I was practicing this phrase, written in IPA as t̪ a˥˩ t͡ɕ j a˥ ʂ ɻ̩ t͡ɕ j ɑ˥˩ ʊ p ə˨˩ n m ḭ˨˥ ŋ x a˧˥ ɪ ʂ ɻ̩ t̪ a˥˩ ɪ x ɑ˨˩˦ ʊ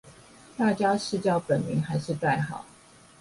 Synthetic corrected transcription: t̪ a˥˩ t͡ɕ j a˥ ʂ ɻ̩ t͡ɕ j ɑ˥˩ ʊ p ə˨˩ n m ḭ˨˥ ŋ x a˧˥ ɪ ʂ ɻ̩ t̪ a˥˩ ɪ x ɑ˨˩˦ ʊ